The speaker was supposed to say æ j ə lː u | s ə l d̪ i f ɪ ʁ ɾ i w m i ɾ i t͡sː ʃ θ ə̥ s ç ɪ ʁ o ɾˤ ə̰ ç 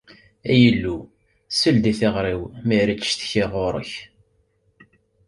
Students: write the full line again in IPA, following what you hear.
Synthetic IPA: æ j ə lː u | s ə l d̪ i θ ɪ ʁ ɾ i w m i ɾ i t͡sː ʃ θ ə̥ ç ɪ ʁ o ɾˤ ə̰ ç

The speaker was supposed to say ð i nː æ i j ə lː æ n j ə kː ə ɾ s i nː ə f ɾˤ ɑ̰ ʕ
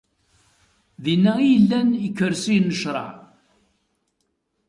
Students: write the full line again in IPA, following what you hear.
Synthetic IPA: ð i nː æ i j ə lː æ n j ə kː ə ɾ s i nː ə ʃ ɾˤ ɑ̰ ʕ

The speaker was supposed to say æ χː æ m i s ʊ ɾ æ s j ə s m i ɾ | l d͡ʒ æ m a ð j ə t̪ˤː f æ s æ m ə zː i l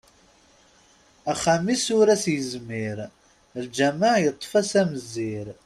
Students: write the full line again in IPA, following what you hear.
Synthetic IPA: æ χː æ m i s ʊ ɾ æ s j ə z m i ɾ | l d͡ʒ æ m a ʕ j ə t̪ˤː f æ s æ m ə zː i ɾ

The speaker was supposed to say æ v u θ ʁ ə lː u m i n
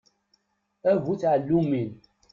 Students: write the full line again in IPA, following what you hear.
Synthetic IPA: æ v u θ ʕ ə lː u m i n

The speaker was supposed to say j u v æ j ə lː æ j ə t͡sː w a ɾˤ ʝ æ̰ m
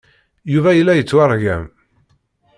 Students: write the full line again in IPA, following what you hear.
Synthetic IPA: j u v æ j ə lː æ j ə t͡sː w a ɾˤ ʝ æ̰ m

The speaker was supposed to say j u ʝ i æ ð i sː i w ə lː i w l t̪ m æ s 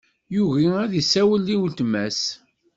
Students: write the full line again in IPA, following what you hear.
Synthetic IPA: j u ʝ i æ ð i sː æ w ə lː i w l t̪ m æ s

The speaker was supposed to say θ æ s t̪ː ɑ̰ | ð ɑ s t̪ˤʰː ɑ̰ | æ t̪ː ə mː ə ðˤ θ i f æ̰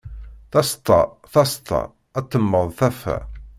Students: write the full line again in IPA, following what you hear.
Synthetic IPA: θ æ s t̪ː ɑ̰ | θ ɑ s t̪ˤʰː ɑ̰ | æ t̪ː ə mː ə ðˤ θ æ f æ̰

